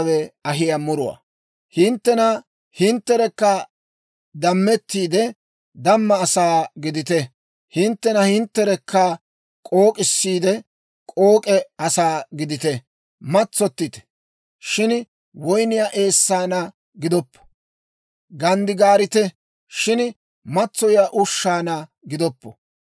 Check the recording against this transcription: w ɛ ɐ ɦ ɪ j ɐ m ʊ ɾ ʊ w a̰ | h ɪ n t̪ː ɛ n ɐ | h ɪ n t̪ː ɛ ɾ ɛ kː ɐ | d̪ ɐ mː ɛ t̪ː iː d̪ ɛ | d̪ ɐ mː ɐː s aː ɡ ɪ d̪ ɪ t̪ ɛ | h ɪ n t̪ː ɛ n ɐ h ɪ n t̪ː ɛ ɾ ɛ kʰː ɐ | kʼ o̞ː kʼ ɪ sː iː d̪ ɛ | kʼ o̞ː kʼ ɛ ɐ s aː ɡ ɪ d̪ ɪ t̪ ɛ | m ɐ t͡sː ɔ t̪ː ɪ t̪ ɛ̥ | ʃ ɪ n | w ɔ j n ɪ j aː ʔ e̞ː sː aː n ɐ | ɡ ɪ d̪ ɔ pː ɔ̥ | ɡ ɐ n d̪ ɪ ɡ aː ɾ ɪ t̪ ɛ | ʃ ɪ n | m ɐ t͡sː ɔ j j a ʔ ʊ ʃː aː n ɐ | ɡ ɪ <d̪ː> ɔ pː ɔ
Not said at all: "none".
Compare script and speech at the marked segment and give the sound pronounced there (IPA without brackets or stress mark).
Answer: d̪